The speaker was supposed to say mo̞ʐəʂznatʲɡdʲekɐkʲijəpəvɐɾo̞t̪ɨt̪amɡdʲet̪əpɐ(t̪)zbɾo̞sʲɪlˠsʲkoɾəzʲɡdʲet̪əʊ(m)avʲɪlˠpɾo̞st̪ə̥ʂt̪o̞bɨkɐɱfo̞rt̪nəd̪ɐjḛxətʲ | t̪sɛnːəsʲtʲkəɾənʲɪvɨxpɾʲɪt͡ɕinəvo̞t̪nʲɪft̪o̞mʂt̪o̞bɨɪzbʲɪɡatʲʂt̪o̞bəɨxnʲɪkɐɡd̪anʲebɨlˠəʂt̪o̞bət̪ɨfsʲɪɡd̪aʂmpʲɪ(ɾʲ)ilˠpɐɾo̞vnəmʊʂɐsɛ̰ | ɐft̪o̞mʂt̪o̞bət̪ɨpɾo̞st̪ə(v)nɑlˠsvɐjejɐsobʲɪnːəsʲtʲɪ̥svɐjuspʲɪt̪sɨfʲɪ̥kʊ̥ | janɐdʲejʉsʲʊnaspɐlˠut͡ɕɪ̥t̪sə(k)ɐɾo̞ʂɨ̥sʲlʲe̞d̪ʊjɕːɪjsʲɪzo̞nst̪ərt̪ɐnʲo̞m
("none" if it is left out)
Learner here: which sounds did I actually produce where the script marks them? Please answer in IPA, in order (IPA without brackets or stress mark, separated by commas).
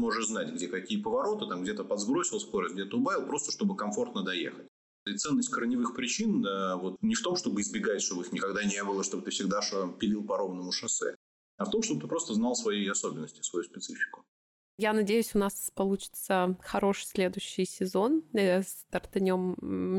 d̪, b, lʲ, z, x